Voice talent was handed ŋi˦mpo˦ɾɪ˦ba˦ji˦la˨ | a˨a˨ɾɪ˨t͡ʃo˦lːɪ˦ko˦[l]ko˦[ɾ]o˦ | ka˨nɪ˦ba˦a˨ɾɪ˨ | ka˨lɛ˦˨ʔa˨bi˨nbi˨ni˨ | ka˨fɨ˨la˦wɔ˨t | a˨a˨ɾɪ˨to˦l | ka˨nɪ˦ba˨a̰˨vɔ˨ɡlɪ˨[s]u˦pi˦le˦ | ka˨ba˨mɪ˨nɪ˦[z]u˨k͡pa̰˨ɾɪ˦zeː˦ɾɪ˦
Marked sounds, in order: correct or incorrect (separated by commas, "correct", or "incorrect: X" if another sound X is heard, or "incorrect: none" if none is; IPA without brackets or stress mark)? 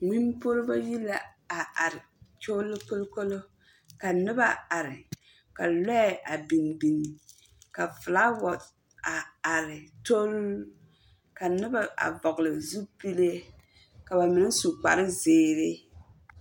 correct, incorrect: l, incorrect: z, incorrect: s